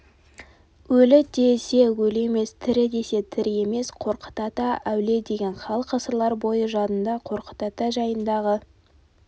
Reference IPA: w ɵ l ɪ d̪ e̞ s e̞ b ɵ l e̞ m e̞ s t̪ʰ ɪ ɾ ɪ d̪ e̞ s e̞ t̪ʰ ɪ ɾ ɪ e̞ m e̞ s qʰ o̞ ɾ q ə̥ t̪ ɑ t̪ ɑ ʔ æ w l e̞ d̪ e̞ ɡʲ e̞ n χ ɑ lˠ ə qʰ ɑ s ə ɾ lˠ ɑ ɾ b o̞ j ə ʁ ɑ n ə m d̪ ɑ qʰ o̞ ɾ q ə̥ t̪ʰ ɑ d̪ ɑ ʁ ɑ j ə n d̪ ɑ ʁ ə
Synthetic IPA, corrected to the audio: w ɵ l ɪ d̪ e̞ s e̞ w ɵ l e̞ m e̞ s t̪ʰ ɪ ɾ ɪ d̪ e̞ s e̞ t̪ʰ ɪ ɾ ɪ e̞ m e̞ s qʰ o̞ ɾ q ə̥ t̪ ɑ t̪ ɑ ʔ æ w l e̞ d̪ e̞ ɡʲ e̞ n χ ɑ lˠ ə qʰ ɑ s ə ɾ lˠ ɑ ɾ b o̞ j ə ʒ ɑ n ə n d̪ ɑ qʰ o̞ ɾ q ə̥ t̪ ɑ t̪ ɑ ʒ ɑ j ə n d̪ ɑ ʁ ə